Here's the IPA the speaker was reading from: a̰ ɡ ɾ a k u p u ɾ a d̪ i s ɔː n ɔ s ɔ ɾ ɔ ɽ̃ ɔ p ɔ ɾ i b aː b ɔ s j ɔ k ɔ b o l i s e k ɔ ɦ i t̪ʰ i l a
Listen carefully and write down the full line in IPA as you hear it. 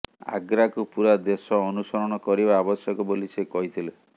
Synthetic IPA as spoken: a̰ ɡ ɾ a k u p u ɾ a d̪ e s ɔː n u s ɔ ɾ ɔ ɽ̃ ɔ k ɔ ɾ i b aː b ɔ s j ɔ k ɔ b o l i s e k ɔ ɦ i t̪ʰ i l e